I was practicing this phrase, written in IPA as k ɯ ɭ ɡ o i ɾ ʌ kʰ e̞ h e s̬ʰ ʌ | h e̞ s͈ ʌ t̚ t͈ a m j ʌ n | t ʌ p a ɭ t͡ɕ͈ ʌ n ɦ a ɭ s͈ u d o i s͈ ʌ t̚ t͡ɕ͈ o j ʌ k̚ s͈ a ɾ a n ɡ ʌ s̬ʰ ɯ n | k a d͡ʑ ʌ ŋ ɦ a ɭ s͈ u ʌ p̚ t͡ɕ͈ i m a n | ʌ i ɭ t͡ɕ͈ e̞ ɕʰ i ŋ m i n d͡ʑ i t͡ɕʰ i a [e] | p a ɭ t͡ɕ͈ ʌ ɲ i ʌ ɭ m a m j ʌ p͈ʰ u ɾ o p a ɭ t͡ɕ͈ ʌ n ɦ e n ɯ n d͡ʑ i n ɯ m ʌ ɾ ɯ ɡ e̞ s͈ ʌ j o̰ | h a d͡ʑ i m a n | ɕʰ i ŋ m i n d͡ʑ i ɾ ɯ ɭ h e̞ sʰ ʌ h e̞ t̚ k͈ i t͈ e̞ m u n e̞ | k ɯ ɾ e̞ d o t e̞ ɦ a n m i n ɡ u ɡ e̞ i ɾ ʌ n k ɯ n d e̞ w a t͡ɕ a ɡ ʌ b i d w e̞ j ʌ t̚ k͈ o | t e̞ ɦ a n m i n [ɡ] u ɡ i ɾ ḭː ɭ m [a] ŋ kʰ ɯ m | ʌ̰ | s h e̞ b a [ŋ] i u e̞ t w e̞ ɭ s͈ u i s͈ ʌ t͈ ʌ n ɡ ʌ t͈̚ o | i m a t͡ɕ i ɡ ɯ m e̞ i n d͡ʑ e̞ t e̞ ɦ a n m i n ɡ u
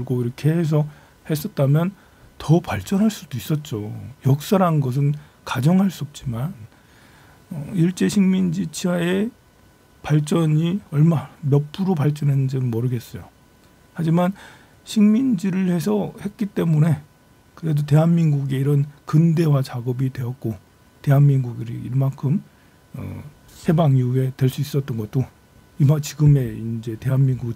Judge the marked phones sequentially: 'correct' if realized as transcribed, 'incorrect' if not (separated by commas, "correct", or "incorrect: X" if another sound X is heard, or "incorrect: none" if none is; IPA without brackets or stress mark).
correct, correct, correct, correct